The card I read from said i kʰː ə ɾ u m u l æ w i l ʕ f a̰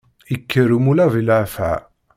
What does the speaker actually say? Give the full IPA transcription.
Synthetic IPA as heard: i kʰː ə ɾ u m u l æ v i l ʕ f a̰